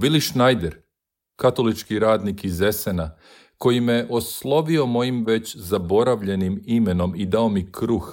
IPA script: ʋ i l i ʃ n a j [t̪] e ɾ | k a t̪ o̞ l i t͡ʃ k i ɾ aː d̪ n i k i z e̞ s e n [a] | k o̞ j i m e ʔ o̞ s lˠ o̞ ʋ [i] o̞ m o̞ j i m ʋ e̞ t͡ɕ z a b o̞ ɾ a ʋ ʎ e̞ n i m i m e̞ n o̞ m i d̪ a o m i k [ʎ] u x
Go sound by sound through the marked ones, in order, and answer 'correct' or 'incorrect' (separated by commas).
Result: incorrect, correct, correct, incorrect